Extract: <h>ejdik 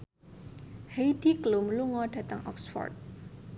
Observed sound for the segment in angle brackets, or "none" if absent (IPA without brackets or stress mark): h